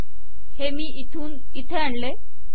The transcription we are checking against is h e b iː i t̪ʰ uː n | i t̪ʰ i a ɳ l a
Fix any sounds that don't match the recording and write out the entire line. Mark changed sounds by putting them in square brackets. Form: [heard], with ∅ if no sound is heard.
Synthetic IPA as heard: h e [m] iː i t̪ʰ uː n | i t̪ʰ [e] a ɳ l [e]